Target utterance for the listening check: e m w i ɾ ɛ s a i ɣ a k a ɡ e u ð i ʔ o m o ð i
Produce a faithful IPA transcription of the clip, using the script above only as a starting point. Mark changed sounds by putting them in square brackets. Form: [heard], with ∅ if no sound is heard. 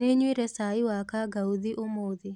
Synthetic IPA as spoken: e [ɲ] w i ɾ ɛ s a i [w] a k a ɡ [a] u ð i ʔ o m o ð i